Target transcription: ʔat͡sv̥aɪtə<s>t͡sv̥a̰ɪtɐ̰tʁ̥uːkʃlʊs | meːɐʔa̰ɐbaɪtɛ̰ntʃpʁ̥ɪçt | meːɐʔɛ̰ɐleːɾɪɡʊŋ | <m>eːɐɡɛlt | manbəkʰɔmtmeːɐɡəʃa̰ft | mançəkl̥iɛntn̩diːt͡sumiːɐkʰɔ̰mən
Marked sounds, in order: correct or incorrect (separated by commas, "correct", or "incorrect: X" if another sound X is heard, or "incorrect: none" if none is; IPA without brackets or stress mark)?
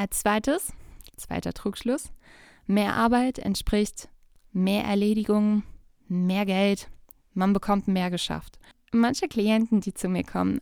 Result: correct, correct